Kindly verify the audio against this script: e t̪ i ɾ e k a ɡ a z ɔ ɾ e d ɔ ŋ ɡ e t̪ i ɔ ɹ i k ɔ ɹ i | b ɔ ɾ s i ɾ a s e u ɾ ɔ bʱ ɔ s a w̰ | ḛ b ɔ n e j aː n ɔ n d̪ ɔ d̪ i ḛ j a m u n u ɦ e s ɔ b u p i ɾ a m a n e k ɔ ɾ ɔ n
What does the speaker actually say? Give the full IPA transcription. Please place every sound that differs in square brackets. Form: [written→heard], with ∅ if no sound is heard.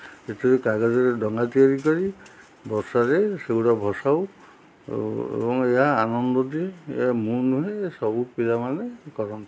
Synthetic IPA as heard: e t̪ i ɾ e k a ɡ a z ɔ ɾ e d ɔ ŋ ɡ [e→a] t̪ i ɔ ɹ i k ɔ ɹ i | b ɔ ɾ s [i→a] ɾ [a→e] s e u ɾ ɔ bʱ ɔ s a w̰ | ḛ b ɔ [n→ŋ] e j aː n ɔ n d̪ ɔ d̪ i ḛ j a m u n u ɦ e s ɔ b u p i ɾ a m a n e k ɔ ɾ ɔ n